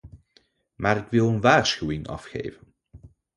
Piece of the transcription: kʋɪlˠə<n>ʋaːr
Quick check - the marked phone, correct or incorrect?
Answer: correct